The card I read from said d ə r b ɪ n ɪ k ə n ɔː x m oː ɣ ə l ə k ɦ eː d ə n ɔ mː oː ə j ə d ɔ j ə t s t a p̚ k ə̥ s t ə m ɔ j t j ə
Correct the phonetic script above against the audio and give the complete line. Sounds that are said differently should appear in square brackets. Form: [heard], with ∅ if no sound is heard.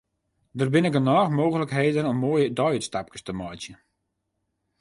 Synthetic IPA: d ə r b ɪ n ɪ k ə n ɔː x m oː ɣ ə l ə k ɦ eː d ə n ɔ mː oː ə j ə d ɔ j ə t s t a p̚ k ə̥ s t ə m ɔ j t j ə